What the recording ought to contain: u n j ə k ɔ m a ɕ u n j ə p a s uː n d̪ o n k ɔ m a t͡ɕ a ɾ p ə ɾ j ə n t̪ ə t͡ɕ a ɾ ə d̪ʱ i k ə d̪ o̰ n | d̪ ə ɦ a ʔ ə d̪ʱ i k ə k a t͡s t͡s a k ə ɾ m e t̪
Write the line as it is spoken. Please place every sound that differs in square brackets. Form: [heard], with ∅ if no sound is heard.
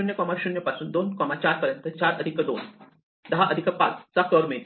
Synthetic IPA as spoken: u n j ə k ɔ m a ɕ u n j ə p a s uː n d̪ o n k ɔ m a t͡ɕ a ɾ p ə ɾ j ə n t̪ ə t͡ɕ a ɾ ə d̪ʱ i k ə d̪ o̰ n | d̪ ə ɦ a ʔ ə d̪ʱ i k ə [p] a t͡s t͡s a k ə ɾ m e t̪